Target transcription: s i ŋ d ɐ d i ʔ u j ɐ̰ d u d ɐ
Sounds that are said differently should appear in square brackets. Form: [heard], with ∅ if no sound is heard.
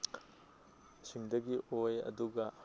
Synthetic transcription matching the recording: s i ŋ d ɐ [ɡ] i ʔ [o] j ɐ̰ d u [ɡ] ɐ